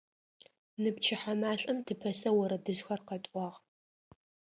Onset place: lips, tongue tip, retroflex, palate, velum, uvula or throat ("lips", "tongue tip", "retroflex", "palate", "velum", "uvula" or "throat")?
tongue tip